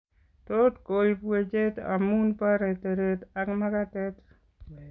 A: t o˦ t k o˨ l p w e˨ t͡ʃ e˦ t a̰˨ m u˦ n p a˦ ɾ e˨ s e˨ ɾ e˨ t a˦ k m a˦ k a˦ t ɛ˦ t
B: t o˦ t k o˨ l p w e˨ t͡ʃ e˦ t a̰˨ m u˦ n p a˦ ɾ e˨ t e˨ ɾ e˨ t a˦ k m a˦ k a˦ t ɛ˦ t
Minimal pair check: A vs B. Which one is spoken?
B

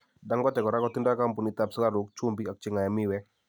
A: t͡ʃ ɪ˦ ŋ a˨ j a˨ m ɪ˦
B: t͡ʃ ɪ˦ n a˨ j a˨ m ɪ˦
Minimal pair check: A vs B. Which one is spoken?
A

